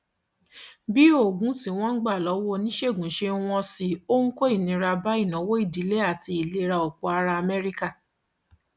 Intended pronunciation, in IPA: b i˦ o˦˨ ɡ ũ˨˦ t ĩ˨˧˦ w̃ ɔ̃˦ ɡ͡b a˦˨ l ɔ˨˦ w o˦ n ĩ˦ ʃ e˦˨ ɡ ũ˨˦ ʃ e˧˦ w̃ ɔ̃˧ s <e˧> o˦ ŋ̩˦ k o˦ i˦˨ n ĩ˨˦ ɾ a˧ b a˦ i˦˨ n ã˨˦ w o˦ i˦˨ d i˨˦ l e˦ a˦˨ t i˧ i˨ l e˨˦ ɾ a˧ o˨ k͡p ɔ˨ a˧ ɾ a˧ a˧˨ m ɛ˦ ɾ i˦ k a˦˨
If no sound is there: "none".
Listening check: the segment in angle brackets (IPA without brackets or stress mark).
i˧